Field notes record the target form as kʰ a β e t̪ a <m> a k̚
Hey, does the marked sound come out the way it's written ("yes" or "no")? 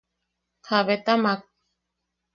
yes